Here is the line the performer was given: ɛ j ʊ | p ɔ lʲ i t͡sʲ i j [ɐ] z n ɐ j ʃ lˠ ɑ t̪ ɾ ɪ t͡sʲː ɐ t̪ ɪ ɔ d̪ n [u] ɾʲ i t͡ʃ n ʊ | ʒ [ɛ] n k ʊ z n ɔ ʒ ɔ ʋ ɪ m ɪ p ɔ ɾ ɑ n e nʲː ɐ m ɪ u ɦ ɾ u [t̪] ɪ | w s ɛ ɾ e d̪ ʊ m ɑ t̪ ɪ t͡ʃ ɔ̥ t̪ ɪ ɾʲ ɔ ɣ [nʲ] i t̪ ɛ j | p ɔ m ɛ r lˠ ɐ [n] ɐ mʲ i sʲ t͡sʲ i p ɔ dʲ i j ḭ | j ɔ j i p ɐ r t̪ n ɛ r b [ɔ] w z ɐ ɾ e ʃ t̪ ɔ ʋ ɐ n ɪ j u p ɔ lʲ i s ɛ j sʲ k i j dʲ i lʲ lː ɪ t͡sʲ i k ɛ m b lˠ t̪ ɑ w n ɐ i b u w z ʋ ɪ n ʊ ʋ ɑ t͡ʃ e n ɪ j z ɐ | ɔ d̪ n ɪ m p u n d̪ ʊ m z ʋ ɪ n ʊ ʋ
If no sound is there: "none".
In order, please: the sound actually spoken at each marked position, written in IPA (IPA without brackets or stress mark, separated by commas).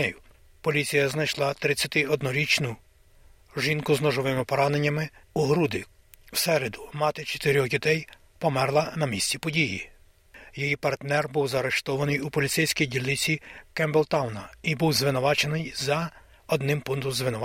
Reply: ɐ, ɔ, i, d̪, dʲ, n, u